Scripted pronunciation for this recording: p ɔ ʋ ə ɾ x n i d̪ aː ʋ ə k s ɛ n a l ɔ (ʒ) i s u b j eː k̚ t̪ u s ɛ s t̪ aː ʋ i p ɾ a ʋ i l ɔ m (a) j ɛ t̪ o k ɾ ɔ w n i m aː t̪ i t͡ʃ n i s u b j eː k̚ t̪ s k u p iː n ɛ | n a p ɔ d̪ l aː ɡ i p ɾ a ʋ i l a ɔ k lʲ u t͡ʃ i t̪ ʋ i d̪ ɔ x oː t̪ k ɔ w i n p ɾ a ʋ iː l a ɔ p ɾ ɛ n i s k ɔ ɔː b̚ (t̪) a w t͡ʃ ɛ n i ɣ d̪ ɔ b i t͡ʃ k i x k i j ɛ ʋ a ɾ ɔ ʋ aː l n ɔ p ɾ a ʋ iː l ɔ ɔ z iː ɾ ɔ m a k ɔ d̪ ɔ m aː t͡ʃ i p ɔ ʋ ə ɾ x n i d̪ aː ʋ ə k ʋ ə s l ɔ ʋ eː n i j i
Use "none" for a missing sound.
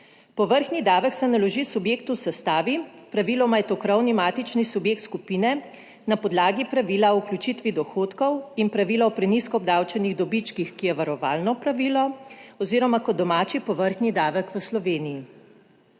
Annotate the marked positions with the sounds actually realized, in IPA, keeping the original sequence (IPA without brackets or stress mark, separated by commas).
ʒ, a, d̪